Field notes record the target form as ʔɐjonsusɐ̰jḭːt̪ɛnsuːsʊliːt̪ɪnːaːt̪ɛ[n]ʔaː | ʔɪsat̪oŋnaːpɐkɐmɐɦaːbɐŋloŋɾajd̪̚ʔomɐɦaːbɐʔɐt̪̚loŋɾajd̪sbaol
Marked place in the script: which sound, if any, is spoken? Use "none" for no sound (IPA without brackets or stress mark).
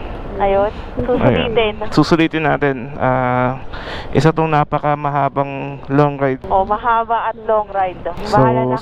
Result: n